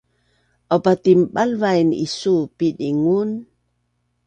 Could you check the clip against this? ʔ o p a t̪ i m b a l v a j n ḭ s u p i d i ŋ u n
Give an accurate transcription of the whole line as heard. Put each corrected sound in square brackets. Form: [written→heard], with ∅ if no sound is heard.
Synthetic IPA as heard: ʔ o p a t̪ i m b a l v a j n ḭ s u p i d i ŋ u n